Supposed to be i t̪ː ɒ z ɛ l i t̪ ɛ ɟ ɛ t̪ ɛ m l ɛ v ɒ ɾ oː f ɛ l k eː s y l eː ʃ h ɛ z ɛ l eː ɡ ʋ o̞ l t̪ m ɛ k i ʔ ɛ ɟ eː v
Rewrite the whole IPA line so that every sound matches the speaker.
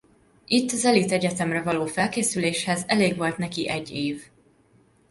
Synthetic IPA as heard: i t̪ː ɒ z ɛ l i t̪ ɛ ɟ ɛ t̪ ɛ m r ɛ v ɒ l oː f ɛ l k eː s y l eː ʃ h ɛ z ɛ l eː ɡ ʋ o̞ l t̪ n ɛ k i ʔ ɛ ɟː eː v